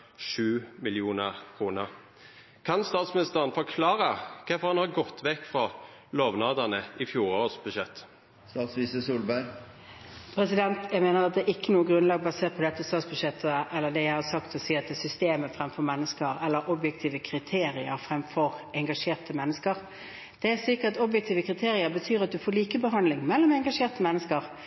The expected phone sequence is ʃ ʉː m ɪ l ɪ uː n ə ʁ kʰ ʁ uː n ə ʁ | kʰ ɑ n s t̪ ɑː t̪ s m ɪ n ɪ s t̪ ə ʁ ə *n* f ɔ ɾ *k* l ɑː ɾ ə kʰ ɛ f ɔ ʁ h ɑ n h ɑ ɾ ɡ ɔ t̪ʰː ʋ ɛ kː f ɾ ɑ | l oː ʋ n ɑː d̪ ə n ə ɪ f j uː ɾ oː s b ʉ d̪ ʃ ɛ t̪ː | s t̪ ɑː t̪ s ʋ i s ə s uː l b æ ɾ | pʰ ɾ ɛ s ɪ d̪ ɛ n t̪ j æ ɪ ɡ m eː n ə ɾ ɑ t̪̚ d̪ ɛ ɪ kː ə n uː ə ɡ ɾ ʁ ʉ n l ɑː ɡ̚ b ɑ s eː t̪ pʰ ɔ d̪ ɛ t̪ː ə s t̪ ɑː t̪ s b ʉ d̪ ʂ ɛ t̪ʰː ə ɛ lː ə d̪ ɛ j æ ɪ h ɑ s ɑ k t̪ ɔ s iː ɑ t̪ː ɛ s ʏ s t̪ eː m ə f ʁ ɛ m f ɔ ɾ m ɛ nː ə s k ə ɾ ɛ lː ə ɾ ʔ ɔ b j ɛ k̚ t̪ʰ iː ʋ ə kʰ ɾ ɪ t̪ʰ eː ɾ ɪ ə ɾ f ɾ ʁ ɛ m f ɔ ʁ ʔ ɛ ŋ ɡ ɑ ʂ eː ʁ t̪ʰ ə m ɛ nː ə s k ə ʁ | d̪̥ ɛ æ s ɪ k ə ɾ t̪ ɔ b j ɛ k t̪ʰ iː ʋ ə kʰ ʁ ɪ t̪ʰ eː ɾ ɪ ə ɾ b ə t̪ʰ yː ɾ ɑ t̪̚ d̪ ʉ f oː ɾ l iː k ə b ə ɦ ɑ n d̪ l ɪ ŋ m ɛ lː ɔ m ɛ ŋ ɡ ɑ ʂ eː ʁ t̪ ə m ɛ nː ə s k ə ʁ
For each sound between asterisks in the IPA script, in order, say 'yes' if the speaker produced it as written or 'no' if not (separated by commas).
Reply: yes, no